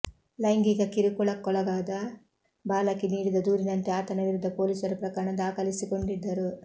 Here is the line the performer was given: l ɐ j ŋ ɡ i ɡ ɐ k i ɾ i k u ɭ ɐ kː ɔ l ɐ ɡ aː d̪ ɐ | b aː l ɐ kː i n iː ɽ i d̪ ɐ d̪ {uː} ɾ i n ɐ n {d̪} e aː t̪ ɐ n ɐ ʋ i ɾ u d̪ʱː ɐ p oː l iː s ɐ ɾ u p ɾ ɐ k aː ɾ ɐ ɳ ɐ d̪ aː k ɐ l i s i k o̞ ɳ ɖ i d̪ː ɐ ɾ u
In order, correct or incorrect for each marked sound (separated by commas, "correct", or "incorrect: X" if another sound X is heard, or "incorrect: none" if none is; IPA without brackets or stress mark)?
correct, incorrect: t̪